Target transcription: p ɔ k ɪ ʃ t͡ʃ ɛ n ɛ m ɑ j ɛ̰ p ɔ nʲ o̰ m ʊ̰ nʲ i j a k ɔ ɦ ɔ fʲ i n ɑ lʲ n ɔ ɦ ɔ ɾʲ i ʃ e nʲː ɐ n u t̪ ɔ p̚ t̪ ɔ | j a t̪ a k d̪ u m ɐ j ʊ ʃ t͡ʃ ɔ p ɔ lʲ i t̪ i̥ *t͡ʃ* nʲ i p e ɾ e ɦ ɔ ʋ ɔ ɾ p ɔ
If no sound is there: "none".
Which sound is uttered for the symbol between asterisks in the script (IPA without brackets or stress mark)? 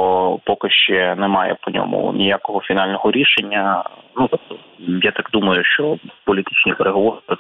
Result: t͡ʃ